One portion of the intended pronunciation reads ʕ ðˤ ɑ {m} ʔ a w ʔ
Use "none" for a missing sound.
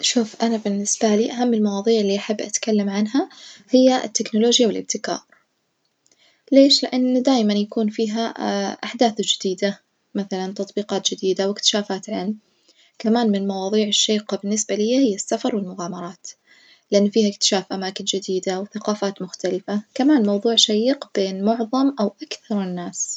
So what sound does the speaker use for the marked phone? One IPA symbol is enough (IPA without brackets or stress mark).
m